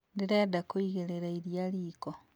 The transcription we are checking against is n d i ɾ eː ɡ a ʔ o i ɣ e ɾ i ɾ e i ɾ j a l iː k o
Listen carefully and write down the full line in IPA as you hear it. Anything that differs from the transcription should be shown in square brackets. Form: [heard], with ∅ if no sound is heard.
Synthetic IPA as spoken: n d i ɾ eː [d] a [k] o i ɣ e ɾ [e] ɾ [a] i ɾ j a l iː k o